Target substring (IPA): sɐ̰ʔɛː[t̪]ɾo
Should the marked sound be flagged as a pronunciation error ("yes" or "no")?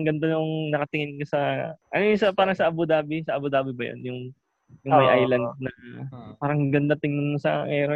yes